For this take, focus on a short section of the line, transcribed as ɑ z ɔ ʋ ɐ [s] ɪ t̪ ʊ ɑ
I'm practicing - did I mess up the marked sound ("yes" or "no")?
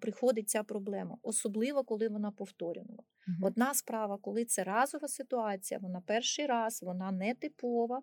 no